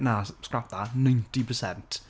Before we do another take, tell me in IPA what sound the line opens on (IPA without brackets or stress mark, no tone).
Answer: n